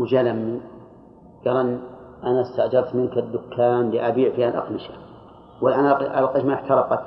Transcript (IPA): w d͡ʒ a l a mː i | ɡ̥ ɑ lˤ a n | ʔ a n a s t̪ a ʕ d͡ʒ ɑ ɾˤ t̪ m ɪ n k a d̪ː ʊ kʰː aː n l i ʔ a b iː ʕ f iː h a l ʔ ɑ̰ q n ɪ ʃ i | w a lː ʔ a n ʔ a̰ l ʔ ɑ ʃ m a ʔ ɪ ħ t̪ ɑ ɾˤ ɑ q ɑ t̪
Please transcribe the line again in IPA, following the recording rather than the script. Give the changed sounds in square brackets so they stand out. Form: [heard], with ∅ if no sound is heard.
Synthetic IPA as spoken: w d͡ʒ a l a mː i | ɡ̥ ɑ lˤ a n | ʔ a n a s t̪ a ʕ d͡ʒ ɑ ɾˤ t̪ m ɪ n k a d̪ː ʊ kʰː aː n l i ʔ a b iː ʕ f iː h a l ʔ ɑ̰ q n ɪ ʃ [a] | w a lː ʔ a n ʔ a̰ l [q] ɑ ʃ m a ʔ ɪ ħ t̪ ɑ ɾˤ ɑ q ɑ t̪